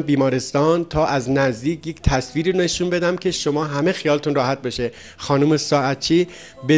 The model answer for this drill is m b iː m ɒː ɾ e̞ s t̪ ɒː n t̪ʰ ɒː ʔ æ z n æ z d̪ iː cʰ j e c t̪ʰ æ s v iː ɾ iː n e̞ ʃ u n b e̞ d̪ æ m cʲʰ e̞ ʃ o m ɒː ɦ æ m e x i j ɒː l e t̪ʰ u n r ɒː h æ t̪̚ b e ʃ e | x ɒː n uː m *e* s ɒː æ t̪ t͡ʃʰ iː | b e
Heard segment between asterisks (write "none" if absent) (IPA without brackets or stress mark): e